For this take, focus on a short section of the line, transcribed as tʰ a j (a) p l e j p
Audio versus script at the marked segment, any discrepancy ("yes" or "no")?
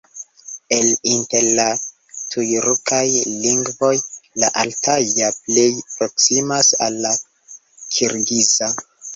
no